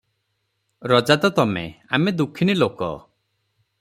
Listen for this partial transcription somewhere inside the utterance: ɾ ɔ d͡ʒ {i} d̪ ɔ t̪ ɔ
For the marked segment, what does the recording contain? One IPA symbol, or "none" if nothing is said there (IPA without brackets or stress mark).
a